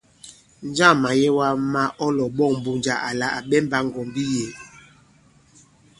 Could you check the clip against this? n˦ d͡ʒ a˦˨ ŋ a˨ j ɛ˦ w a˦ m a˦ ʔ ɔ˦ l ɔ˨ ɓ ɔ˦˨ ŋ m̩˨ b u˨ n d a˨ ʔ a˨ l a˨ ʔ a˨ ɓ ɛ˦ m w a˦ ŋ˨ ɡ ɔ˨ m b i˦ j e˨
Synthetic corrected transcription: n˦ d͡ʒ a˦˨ m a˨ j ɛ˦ w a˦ m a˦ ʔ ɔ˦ l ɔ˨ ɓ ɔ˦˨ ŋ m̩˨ b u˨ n d͡ʒ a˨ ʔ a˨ l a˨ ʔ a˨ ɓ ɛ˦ m b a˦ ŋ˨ ɡ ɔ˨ m b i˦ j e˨